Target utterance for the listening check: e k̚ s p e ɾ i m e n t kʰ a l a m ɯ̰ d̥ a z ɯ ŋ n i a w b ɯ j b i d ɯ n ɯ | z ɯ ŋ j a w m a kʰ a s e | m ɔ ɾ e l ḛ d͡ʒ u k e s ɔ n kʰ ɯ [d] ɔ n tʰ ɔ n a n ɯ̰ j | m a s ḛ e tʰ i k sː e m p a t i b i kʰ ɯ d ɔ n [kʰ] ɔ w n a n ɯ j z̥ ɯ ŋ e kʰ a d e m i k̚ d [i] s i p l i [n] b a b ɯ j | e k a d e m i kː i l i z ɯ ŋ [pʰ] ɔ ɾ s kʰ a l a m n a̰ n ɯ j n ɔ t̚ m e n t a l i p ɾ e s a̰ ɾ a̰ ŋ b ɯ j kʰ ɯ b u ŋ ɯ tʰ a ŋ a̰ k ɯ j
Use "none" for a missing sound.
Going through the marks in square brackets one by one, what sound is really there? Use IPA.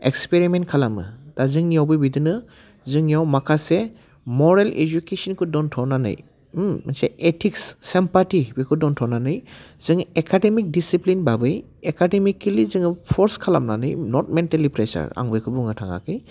d, tʰ, i, n, pʰ

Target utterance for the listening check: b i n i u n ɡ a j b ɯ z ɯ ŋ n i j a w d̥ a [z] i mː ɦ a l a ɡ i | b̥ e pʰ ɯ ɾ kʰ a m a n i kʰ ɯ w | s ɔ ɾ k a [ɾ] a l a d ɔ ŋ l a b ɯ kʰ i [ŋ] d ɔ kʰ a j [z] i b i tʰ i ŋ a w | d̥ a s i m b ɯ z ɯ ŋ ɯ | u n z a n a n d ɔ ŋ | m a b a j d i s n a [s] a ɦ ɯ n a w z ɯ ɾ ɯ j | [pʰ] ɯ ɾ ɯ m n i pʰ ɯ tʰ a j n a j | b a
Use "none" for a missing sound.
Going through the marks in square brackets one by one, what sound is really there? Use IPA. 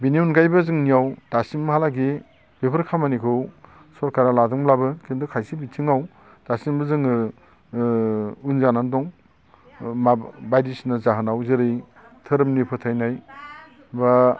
s, ɾ, n, s, z, tʰ

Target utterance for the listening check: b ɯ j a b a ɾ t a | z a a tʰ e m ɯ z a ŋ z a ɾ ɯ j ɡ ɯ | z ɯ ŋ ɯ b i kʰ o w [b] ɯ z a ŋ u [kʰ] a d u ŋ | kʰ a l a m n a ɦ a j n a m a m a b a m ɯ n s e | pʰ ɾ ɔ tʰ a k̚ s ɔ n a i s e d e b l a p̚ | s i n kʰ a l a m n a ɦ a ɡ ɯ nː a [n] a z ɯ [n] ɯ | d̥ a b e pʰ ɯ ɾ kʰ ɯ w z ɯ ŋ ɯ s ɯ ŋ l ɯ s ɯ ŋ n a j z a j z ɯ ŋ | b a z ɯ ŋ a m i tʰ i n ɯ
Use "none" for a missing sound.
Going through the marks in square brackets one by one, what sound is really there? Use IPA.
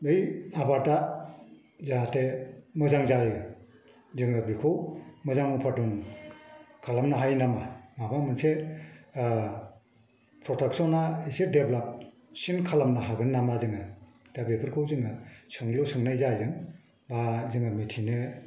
m, pʰ, m, ŋ

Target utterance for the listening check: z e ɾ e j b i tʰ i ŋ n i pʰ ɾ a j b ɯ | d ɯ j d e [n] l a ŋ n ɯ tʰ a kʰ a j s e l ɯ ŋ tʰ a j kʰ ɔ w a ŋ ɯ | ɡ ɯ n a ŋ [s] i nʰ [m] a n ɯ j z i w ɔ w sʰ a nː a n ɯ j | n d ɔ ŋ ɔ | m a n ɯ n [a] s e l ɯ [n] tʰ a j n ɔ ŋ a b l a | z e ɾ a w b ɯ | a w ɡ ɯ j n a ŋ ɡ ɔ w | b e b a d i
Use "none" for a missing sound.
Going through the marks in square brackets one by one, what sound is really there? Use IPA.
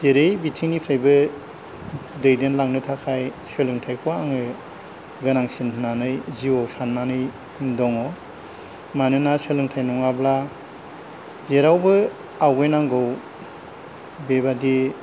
n, s, n, a, ŋ

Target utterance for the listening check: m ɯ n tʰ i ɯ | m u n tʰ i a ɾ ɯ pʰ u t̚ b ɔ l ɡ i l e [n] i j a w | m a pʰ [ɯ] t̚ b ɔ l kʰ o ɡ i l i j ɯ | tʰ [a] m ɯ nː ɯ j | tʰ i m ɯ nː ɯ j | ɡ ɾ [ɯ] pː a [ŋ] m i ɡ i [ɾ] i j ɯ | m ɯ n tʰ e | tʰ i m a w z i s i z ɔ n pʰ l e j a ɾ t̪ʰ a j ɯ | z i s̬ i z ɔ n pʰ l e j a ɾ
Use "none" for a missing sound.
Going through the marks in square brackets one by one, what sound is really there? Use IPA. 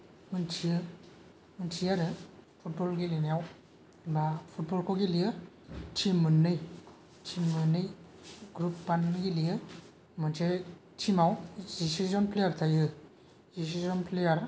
n, u, i, u, n, l

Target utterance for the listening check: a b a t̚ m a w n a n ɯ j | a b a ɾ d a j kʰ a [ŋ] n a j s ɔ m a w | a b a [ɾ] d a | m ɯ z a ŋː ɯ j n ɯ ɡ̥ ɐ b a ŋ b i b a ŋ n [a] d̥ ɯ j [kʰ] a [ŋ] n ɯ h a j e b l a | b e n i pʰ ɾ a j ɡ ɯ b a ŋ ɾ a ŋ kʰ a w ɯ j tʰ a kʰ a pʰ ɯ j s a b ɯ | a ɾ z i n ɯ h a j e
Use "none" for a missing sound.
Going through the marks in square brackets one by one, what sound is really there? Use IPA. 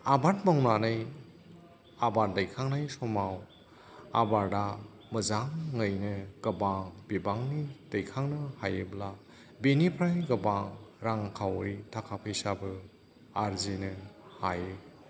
ŋ, ɾ, i, kʰ, ŋ

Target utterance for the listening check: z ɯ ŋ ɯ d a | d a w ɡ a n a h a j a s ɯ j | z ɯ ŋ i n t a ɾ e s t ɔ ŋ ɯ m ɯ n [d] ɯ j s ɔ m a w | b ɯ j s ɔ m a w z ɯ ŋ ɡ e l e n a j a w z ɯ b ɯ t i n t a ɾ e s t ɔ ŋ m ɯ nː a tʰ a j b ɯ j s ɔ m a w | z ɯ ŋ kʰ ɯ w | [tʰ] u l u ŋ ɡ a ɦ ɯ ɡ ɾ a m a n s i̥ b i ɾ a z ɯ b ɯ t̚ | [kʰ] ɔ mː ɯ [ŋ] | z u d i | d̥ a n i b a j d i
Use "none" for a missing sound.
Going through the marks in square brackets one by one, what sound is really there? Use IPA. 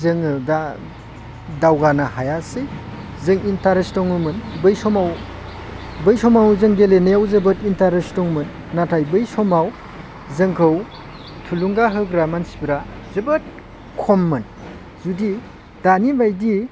b, tʰ, kʰ, n

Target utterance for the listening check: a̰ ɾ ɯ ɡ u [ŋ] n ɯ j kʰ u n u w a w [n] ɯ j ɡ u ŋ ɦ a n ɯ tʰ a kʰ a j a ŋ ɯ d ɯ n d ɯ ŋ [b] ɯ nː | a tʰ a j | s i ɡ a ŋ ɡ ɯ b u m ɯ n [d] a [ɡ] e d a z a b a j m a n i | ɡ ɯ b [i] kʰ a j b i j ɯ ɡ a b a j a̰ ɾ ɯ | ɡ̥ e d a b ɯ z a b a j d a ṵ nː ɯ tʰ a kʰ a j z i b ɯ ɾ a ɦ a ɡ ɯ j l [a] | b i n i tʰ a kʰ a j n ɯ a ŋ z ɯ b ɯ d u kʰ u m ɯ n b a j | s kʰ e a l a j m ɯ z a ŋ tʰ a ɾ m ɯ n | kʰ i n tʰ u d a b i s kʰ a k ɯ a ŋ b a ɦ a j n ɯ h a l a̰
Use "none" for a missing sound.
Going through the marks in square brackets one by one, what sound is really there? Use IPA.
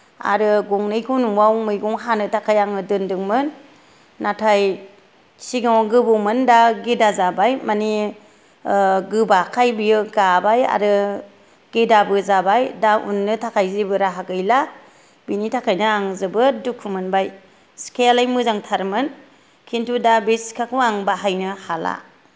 ŋ, m, m, d, ɡ, a, a

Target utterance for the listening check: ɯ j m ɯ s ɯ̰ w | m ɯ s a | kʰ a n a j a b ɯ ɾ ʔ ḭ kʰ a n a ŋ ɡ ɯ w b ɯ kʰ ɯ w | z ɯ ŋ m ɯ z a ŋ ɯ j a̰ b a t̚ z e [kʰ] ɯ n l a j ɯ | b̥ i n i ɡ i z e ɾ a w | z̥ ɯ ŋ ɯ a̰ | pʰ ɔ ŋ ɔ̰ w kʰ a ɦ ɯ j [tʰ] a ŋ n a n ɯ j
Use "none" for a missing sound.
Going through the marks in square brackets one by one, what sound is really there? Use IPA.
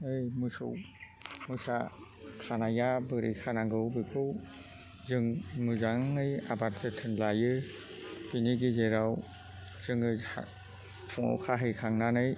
tʰ, kʰ

